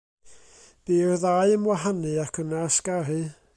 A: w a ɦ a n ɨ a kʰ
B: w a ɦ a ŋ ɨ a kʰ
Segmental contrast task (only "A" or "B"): A